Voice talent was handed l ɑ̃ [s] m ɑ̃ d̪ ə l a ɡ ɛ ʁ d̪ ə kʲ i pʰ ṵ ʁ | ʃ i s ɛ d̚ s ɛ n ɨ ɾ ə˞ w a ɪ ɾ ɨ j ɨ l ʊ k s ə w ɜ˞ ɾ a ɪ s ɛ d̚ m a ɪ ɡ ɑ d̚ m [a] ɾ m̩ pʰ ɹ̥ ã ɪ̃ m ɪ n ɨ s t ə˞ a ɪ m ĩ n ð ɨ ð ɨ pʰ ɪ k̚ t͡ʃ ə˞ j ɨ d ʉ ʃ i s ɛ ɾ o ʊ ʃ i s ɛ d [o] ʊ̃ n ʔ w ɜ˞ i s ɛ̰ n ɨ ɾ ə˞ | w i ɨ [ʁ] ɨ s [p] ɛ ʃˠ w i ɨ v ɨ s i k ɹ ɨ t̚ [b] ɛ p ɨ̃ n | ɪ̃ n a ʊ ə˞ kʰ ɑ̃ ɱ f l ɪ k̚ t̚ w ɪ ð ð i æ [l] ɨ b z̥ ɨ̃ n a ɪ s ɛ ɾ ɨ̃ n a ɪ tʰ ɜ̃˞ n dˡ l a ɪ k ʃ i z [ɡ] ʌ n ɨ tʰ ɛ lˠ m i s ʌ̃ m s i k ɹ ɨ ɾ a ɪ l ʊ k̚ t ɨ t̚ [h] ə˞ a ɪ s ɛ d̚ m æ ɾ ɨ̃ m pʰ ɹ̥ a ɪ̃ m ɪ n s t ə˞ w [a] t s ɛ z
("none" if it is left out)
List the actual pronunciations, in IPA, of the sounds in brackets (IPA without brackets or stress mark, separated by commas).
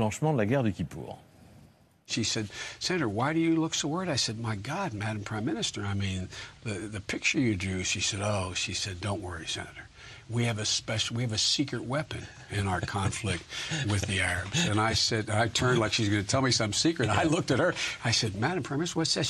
ʃ, æ, õ, v, p, w, ɹ, ɡ, h, ʌ